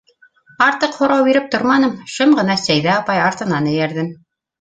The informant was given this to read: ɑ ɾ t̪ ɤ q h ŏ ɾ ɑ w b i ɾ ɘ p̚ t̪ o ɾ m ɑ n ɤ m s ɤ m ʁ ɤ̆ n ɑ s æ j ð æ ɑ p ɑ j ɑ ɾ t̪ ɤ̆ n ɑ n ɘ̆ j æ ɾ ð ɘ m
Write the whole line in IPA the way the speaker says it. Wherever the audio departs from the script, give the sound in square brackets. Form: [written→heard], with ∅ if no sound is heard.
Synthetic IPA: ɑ ɾ t̪ ɤ q h ŏ ɾ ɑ w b i ɾ ɘ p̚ t̪ o ɾ m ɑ n ɤ m [s→ʃ] ɤ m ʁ ɤ̆ n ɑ s æ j ð æ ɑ p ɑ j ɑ ɾ t̪ ɤ̆ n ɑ n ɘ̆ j æ ɾ ð ɘ m